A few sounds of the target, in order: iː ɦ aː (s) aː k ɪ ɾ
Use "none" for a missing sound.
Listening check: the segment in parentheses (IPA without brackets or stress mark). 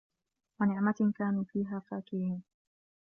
f